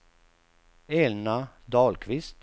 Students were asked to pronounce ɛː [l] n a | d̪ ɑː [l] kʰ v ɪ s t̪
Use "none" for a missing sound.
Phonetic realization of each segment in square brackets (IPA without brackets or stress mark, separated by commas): l, l